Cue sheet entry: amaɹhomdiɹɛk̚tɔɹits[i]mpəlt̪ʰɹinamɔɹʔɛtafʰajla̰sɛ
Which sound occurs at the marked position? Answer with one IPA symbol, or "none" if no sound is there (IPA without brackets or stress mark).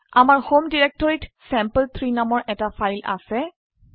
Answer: ɛ